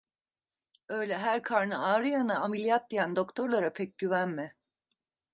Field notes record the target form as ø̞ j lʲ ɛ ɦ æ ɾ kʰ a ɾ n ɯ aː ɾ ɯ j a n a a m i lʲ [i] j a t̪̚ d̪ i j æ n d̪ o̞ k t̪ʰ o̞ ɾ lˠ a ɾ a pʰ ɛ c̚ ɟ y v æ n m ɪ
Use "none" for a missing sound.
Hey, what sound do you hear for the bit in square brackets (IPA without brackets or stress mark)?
i